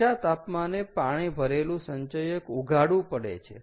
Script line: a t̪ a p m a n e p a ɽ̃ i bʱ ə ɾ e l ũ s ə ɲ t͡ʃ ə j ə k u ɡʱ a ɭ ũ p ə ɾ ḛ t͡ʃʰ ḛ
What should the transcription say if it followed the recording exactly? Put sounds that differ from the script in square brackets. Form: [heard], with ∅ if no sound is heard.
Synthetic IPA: a t̪ a p m a n e p a ɽ̃ i bʱ ə ɾ e l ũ s ə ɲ t͡ʃ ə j ə k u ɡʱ a [ɽ] ũ p ə [ɽ] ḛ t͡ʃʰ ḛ